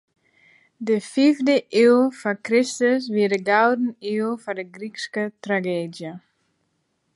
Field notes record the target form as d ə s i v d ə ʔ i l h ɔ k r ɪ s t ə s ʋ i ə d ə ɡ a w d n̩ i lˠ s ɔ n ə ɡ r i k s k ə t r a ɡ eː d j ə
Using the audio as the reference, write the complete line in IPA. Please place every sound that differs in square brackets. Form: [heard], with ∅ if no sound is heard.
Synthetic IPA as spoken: d ə [f] i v d ə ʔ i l [f] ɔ k r ɪ s t ə s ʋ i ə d ə ɡ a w d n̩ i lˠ [f] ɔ [d] ə ɡ r i k s k ə t r a ɡ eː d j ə